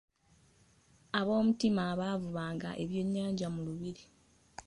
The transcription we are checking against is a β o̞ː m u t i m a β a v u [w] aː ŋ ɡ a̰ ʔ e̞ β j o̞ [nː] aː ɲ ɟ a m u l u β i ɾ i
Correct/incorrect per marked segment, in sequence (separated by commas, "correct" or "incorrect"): incorrect, incorrect